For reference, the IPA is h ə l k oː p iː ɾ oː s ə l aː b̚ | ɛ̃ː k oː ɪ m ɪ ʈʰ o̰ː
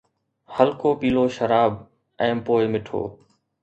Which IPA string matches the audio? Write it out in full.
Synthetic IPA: h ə l k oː p iː l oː ʃ ə ɾ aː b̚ | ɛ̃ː p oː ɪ m ɪ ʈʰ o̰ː

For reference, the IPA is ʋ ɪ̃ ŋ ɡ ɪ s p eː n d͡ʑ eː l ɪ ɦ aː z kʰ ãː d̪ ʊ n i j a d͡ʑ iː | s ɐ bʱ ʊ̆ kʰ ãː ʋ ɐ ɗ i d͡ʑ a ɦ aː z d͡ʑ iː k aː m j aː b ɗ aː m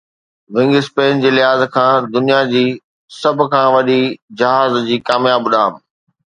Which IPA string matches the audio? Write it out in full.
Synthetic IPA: ʋ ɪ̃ ŋ ɡ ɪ s p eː n d͡ʑ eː l ɪ ɦ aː z kʰ ãː d̪ ʊ n i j a d͡ʑ iː | s ɐ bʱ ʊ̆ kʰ ãː ʋ ɐ ɗ i d͡ʑ ɐ ɦ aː z d͡ʑ iː k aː m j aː b ɗ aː m

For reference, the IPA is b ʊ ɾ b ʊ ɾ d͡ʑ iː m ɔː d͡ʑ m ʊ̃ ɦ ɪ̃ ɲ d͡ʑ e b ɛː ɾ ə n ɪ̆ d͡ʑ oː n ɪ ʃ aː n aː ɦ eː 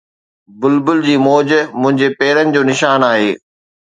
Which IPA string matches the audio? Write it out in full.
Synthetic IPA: b ʊ l b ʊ l d͡ʑ iː m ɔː d͡ʑ m ʊ̃ ɦ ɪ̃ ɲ d͡ʑ e p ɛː ɾ ə n ɪ̆ d͡ʑ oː n ɪ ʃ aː n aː ɦ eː

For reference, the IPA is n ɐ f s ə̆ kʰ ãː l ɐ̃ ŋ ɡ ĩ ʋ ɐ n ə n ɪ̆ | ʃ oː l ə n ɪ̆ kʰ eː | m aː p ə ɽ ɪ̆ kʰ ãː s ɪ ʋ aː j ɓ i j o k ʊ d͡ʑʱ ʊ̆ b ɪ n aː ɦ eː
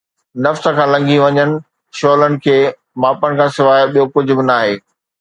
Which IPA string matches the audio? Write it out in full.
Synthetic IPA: n ɐ f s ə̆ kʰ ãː l ɐ̃ ŋ ɡ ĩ ʋ ɐ ɲ ə n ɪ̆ | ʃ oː l ə n ɪ̆ kʰ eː | m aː p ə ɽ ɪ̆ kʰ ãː s ɪ ʋ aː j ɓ i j o k ʊ d͡ʑʱ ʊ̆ b ɪ n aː ɦ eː

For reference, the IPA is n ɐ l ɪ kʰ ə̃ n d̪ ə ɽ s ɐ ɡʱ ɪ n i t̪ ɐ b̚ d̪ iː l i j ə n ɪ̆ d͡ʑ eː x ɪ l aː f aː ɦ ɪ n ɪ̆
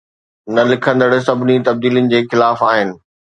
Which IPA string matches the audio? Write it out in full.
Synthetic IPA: n ɐ l ɪ kʰ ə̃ n d̪ ə ɽ s ɐ bʱ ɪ n i t̪ ɐ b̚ d̪ iː l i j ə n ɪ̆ d͡ʑ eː x ɪ l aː f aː ɦ ɪ n ɪ̆

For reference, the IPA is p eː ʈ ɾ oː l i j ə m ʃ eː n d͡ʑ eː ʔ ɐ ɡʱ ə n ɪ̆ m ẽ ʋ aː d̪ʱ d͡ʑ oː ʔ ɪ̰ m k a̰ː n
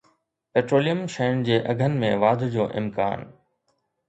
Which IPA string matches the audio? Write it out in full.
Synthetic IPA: p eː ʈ ɾ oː l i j ə m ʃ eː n d͡ʑ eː ʔ ɐ ɡʱ ə n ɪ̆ m ẽ ʋ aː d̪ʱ d͡ʑ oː ʔ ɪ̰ m k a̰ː n

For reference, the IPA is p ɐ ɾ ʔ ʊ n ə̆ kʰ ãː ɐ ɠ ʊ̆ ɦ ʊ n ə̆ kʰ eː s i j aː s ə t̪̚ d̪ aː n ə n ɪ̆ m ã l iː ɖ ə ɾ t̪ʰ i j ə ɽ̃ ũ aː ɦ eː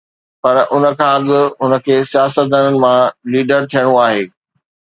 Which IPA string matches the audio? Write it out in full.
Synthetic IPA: p ɐ ɾ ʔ ʊ n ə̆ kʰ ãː ɐ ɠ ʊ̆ ɦ ʊ n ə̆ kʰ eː s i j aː s ə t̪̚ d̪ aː n ə n ɪ̆ m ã l iː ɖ ə ɾ t̪ʰ i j ə ɽ̃ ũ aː ɦ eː

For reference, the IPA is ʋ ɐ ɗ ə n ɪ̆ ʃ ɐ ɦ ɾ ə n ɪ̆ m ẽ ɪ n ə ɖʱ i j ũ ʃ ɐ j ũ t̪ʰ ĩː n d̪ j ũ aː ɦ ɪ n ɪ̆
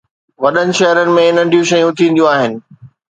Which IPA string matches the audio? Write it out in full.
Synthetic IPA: ʋ ɐ ɗ ə n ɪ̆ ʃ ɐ ɦ ɾ ə n ɪ̆ m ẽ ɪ n ə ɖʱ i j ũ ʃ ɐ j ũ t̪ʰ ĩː n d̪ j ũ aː ɦ ɪ n ɪ̆

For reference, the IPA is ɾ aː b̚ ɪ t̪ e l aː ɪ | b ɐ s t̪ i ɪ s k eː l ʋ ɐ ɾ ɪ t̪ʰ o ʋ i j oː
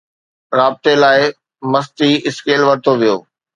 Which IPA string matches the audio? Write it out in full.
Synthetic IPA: ɾ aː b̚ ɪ t̪ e l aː ɪ | m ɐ s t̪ i ɪ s k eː l ʋ ɐ ɾ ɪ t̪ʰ o ʋ i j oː

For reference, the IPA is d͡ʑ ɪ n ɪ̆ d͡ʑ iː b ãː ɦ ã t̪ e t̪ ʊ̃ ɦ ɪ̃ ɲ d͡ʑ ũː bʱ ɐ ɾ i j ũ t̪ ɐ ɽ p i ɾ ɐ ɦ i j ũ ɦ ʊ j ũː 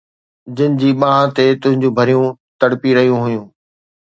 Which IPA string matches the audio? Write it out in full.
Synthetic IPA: d͡ʑ ɪ n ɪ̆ d͡ʑ iː ɓ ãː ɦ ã t̪ e t̪ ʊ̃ ɦ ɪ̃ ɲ d͡ʑ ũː bʱ ɐ ɾ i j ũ t̪ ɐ ɽ p i ɾ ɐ ɦ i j ũ ɦ ʊ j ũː

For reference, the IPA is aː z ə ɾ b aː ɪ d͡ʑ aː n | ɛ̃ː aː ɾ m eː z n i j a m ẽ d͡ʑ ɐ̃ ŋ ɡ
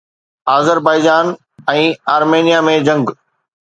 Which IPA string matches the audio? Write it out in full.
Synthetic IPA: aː z ə ɾ b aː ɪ d͡ʑ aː n | ɛ̃ː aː ɾ m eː n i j a m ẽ d͡ʑ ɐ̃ ŋ ɡ

